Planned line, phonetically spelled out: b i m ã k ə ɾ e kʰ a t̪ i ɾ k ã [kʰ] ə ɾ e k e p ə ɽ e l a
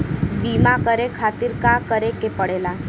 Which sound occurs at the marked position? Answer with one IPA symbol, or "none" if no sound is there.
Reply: k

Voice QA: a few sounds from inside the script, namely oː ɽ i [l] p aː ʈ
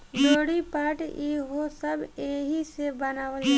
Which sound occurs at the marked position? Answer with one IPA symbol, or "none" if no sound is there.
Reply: none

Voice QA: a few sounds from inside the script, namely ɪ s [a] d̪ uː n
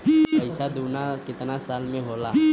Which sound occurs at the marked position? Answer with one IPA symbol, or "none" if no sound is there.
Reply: a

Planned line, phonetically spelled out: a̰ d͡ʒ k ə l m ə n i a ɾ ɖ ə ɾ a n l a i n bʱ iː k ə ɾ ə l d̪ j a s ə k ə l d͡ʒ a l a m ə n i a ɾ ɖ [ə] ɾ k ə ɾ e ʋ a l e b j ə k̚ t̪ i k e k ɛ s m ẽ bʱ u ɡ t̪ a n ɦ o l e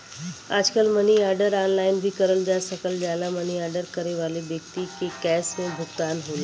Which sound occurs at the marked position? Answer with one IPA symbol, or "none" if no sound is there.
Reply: ə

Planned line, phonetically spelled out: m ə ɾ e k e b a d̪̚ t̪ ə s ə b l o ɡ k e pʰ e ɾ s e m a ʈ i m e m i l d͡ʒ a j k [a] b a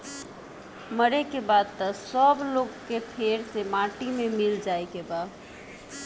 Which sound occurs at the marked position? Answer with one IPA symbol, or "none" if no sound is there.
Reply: e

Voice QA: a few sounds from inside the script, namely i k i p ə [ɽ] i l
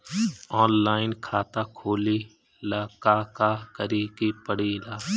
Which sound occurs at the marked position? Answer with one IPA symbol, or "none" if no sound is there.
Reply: ɽ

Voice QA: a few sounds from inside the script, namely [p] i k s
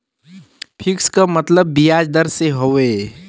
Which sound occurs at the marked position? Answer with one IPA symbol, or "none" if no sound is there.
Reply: pʰ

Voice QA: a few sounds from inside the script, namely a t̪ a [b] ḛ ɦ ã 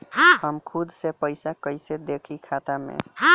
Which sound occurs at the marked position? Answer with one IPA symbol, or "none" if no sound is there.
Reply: m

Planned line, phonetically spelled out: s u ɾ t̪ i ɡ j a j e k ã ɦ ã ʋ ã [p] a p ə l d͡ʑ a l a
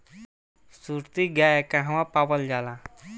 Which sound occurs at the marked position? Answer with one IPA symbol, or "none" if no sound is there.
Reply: p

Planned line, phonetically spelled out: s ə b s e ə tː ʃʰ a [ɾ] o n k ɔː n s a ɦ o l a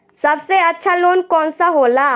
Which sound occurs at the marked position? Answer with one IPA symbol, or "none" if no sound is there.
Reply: l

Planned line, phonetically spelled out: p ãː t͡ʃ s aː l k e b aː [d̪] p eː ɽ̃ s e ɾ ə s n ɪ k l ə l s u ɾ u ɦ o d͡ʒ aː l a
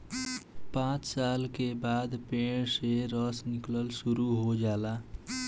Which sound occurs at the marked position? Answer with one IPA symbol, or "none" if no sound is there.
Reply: d̪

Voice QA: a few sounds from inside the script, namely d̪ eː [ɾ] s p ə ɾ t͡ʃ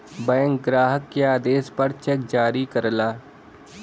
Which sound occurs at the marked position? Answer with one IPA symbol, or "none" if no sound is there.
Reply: none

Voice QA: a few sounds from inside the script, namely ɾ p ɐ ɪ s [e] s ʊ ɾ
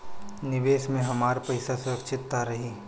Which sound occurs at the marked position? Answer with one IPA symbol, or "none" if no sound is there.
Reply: a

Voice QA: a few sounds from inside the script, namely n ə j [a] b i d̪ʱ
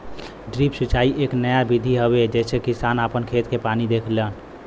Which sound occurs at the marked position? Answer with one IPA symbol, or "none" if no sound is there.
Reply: a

